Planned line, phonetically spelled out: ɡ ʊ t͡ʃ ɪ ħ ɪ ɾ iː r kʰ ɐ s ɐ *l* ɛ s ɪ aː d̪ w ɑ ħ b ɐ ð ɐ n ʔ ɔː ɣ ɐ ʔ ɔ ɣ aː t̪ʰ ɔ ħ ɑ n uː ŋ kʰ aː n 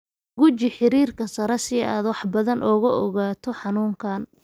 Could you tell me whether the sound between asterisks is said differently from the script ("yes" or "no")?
yes